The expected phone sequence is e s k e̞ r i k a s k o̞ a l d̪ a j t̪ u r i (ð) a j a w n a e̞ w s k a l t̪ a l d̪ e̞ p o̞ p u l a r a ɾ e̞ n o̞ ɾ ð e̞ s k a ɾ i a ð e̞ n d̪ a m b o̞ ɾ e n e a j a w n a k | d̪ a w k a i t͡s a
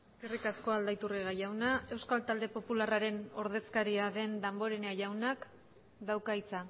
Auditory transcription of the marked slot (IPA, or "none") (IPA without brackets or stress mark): ɣ